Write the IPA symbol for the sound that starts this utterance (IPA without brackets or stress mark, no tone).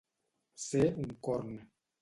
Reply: s